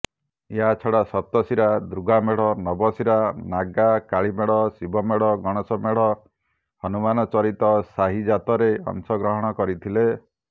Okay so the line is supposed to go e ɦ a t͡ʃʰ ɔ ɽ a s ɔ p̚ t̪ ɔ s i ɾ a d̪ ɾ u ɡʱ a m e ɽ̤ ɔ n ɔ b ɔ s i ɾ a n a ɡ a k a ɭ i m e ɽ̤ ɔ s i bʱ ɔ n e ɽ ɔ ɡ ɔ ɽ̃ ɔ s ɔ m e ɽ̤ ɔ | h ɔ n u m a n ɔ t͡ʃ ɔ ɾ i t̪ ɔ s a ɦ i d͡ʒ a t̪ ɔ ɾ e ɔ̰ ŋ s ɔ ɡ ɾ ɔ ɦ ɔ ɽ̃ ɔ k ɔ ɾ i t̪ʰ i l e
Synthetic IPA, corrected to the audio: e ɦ a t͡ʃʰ ɔ ɽ a s ɔ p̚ t̪ ɔ s i ɾ a d̪ ɾ u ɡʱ a m e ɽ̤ ɔ n ɔ b ɔ s i ɾ a n a ɡ a k a ɭ i m e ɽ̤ ɔ s i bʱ ɔ m e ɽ ɔ ɡ ɔ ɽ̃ ɔ s ɔ m e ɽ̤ ɔ | h ɔ n u m a n ɔ t͡ʃ ɔ ɾ i t̪ ɔ s a ɦ i d͡ʒ a t̪ ɔ ɾ e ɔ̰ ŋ s ɔ ɡ ɾ ɔ ɦ ɔ ɽ̃ ɔ k ɔ ɾ i t̪ʰ i l e